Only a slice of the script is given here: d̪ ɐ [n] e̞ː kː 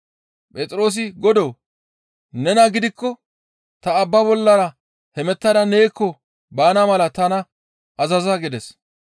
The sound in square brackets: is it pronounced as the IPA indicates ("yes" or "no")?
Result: yes